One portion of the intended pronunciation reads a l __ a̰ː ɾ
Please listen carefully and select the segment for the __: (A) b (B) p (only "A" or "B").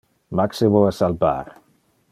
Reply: A